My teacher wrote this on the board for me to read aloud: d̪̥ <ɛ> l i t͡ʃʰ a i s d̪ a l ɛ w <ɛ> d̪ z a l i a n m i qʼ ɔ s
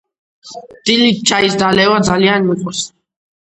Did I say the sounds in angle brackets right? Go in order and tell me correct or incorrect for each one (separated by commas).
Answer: incorrect, incorrect